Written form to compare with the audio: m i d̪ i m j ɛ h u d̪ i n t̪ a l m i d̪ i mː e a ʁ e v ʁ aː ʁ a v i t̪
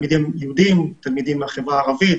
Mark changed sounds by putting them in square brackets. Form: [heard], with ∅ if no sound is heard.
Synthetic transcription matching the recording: m i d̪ i m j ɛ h u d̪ i [m] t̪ a l m i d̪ i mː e a [χ] e v ʁ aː ʁ a v i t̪